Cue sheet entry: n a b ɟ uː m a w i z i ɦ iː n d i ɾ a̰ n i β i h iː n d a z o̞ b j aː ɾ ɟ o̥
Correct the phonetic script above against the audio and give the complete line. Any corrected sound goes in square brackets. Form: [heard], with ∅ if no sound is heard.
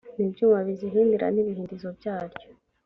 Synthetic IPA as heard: n [i] b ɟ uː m a [β] i z i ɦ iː n d i ɾ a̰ n i β i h iː n d [i] z o̞ b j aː ɾ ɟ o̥